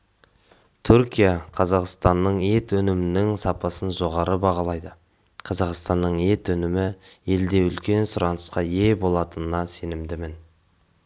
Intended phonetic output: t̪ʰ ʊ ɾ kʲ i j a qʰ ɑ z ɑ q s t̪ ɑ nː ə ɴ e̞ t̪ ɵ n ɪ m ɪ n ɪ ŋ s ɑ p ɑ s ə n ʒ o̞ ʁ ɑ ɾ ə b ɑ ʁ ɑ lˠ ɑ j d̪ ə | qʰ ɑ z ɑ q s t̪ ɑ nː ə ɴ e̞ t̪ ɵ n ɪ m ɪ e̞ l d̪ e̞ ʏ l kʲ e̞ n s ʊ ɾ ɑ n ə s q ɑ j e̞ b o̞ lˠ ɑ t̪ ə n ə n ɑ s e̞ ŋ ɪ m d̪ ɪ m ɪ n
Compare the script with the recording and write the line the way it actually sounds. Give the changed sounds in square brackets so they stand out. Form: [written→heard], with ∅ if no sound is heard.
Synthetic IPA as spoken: t̪ʰ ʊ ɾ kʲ i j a qʰ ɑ z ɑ q s t̪ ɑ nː ə ɴ e̞ t̪ ɵ n ɪ m ɪ n ɪ ŋ s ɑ p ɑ s ə n ʒ o̞ ʁ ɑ ɾ ə b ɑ ʁ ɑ lˠ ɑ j d̪ ə | qʰ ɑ z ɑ q s t̪ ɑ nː ə ɴ e̞ t̪ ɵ n ɪ m ɪ e̞ l d̪ e̞ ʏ l kʲ e̞ n s ʊ ɾ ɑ n ə s q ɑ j e̞ b o̞ lˠ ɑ t̪ ə n ə n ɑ s e̞ [ŋ→n] ɪ m d̪ ɪ m ɪ n